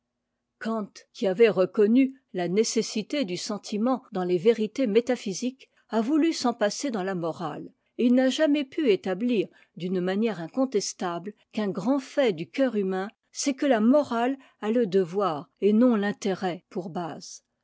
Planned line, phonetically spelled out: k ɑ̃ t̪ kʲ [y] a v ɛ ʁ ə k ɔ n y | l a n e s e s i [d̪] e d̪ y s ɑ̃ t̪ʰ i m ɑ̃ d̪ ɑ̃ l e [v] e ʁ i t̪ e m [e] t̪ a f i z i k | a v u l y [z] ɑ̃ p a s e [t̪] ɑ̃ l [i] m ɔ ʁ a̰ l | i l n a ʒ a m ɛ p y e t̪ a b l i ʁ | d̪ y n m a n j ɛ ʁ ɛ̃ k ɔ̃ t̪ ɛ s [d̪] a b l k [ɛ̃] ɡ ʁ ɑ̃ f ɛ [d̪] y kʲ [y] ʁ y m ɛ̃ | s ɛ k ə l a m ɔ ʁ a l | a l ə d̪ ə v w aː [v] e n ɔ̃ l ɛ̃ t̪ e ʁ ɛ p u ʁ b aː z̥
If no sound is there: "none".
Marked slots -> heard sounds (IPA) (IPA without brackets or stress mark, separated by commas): i, t̪, v, e, s, d̪, a, t̪, ɛ̃, d̪, œ, ʁ